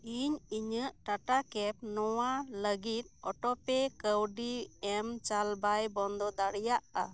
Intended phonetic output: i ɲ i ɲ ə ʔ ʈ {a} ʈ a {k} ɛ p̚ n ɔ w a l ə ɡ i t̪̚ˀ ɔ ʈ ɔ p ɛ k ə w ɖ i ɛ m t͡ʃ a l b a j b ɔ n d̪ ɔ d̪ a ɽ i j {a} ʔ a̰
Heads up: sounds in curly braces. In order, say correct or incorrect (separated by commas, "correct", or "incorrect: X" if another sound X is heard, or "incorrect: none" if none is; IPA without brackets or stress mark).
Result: correct, correct, correct